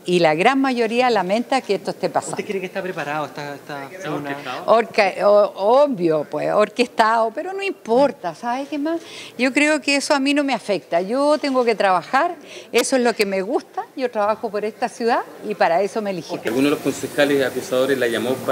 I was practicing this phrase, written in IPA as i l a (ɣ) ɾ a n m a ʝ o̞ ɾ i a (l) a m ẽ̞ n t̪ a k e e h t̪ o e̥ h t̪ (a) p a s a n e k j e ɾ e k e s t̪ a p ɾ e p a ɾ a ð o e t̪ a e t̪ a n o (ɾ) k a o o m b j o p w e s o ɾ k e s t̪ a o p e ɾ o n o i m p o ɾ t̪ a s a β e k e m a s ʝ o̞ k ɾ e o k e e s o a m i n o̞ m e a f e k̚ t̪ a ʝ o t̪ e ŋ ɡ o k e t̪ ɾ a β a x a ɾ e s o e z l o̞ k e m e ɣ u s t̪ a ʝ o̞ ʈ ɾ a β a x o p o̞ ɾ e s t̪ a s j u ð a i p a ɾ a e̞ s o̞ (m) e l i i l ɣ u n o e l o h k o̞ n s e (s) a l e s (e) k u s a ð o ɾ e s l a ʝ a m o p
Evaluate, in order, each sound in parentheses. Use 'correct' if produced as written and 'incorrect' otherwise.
correct, correct, incorrect: e, correct, correct, incorrect: x, incorrect: a

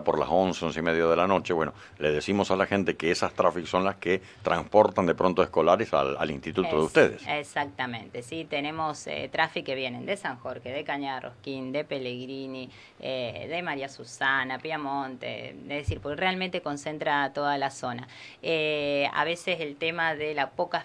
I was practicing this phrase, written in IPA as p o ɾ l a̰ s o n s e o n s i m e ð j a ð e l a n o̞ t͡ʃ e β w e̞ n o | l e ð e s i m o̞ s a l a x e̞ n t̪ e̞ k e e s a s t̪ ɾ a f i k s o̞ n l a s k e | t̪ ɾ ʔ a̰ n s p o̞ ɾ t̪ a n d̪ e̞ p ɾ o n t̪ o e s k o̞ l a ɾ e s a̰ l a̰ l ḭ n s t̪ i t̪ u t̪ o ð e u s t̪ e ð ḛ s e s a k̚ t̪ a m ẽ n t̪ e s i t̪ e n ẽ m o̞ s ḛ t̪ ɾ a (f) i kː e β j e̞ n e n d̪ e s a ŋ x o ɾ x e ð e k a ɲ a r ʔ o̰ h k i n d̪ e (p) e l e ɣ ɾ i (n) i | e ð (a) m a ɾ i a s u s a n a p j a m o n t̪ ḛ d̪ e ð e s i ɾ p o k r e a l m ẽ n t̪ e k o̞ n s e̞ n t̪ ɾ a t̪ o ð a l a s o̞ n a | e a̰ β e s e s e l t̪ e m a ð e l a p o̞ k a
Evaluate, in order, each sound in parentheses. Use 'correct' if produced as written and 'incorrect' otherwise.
correct, correct, correct, incorrect: e

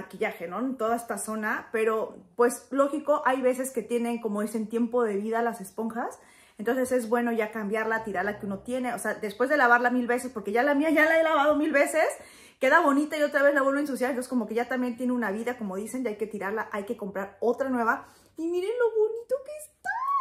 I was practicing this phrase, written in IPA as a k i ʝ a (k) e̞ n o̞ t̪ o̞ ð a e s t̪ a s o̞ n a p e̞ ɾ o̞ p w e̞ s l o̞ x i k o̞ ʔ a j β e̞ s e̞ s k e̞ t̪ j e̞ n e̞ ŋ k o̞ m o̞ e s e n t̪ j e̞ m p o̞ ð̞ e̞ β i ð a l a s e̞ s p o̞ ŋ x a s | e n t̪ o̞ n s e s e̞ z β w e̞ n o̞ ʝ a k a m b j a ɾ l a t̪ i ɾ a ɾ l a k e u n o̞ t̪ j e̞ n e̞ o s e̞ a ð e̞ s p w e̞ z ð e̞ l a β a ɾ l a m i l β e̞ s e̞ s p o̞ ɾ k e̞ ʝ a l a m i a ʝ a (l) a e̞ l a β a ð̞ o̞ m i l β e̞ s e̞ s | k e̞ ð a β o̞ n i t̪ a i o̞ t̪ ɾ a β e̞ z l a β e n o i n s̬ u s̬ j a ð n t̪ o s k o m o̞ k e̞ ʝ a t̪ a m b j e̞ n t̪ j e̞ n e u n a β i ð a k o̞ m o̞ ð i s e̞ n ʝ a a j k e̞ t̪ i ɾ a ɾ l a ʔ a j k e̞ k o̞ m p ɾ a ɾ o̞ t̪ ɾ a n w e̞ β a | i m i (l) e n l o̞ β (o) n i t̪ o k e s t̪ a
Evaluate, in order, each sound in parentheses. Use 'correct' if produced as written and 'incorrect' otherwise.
incorrect: x, correct, incorrect: ɾ, correct

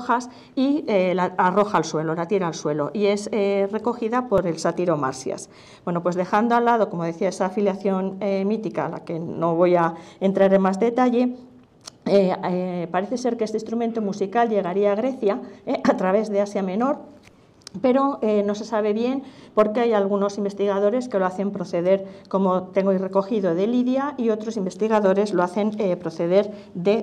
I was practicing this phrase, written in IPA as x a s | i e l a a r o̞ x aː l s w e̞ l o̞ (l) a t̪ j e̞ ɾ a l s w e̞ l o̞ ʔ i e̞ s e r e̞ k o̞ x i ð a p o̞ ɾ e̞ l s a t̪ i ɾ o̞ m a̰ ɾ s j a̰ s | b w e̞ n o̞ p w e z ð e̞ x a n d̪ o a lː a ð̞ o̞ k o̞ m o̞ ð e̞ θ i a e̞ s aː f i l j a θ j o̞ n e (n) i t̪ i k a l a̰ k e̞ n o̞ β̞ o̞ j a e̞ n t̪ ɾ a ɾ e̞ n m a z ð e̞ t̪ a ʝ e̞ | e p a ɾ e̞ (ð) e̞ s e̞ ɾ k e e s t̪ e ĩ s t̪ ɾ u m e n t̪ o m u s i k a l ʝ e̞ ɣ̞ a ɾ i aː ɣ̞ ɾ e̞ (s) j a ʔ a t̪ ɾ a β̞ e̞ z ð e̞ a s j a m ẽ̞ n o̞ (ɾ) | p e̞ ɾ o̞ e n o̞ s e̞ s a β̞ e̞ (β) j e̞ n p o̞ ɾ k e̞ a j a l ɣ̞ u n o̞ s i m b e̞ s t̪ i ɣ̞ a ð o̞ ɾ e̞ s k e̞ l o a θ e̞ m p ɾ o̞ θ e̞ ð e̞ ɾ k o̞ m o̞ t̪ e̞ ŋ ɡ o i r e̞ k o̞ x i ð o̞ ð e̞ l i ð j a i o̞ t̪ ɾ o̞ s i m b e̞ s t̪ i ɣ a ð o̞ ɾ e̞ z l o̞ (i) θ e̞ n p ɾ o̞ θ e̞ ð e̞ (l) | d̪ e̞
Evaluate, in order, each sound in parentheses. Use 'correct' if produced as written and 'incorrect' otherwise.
correct, incorrect: m, incorrect: θ, incorrect: θ, correct, correct, incorrect: a, incorrect: ɾ

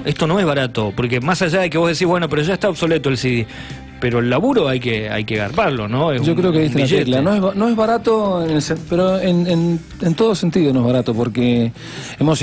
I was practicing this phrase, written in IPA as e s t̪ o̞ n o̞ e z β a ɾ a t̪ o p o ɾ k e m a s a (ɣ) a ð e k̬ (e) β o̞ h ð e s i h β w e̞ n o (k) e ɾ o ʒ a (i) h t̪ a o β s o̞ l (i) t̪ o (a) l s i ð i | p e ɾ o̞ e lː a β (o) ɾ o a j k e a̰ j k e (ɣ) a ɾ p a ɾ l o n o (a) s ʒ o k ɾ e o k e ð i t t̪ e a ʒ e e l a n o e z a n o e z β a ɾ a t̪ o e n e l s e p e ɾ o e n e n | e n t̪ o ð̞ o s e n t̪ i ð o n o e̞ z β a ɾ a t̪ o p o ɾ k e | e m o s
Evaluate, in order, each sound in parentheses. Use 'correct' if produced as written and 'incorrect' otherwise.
incorrect: ʒ, correct, incorrect: p, incorrect: e, incorrect: e, incorrect: e, incorrect: u, correct, incorrect: e

